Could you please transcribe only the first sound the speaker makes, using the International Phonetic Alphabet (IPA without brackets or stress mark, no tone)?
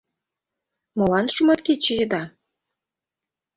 m